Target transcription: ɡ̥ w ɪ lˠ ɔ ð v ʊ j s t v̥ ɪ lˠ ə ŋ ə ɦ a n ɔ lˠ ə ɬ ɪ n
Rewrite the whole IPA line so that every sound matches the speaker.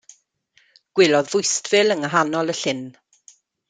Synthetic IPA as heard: ɡ̥ w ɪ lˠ ɔ ð v ʊ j s t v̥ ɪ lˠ ə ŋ ə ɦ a n ɔ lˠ ə ɬ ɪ n